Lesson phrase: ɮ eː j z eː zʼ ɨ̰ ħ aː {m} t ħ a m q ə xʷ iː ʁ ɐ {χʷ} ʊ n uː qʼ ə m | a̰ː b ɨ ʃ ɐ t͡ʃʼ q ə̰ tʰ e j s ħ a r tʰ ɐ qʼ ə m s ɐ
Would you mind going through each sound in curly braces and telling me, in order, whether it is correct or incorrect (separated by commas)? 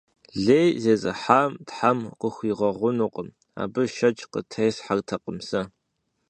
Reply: correct, incorrect